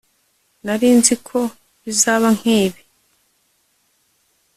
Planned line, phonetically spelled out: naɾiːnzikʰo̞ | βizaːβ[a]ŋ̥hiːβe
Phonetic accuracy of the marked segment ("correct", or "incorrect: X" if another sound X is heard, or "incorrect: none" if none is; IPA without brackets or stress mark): correct